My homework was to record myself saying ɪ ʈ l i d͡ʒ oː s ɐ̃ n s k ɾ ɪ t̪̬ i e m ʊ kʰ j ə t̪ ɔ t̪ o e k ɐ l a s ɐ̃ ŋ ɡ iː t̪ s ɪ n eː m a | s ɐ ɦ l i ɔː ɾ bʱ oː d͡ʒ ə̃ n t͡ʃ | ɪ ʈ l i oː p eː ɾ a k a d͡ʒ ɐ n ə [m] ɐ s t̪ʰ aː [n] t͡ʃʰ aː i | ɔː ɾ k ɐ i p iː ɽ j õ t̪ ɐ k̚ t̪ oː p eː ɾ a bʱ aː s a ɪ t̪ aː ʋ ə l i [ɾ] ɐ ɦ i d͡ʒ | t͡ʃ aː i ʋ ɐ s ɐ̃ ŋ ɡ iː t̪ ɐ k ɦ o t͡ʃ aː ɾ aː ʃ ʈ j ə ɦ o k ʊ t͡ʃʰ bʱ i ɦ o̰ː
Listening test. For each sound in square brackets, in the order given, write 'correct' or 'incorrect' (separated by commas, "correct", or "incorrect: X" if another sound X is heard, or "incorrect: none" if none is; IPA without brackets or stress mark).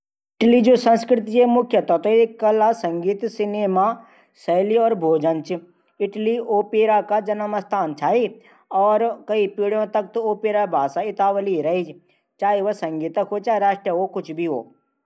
correct, correct, correct